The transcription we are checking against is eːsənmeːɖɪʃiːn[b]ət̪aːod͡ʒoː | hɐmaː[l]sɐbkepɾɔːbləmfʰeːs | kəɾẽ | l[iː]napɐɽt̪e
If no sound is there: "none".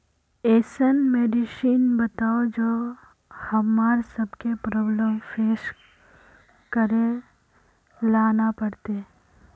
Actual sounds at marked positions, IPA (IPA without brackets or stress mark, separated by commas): b, ɾ, aː